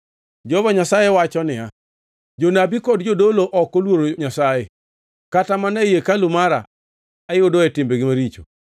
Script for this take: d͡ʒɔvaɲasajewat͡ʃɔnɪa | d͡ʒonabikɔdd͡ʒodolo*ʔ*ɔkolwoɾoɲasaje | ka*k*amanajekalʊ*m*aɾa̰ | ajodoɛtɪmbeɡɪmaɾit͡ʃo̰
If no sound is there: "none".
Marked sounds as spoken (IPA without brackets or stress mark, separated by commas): ʔ, t, m